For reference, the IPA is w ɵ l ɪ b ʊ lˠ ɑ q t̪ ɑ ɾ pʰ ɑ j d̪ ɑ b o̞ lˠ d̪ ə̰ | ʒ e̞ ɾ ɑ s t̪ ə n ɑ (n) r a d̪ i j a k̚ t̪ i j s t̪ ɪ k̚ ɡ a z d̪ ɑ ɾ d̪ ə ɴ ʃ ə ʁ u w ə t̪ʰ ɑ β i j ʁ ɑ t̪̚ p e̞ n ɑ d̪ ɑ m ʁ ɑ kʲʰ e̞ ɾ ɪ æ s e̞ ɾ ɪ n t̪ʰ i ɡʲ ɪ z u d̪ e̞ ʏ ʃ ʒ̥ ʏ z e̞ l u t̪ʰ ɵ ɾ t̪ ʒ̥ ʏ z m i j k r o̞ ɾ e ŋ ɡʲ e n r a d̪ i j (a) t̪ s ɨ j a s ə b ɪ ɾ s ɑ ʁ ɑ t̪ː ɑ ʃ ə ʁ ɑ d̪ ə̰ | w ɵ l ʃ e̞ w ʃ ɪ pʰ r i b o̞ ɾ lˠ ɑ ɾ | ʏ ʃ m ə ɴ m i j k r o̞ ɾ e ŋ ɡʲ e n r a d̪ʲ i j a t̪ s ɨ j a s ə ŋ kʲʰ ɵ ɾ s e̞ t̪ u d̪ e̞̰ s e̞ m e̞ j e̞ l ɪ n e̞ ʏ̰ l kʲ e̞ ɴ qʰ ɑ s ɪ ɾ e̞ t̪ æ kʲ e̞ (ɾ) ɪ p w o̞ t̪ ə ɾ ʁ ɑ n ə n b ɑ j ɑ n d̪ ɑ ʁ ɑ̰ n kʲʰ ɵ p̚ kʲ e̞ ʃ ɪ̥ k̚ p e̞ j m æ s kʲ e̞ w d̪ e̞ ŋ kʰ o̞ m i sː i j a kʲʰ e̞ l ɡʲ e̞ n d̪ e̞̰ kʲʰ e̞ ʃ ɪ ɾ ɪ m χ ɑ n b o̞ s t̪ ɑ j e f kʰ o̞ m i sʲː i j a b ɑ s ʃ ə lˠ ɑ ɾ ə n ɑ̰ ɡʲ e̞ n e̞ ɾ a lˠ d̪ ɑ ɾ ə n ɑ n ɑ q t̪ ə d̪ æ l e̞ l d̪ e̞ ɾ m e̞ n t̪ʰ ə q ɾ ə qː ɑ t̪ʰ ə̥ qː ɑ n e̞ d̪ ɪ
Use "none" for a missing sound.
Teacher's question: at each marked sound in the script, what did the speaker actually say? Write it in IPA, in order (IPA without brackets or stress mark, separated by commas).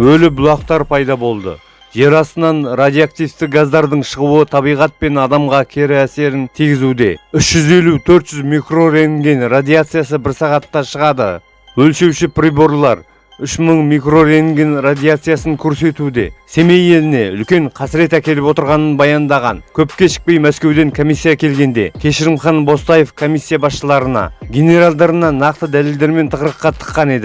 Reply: n, a, l